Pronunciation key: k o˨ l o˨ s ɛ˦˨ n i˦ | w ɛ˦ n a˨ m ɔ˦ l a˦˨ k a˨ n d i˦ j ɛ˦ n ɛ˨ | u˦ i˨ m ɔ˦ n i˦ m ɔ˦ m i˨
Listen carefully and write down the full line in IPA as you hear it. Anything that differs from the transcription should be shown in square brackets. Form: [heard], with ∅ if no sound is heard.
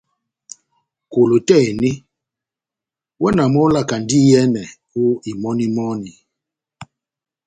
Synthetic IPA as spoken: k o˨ l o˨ [t] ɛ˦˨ n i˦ | w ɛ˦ n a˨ m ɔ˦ l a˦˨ k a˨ n d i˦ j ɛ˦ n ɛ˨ | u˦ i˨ m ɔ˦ n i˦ m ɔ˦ [n] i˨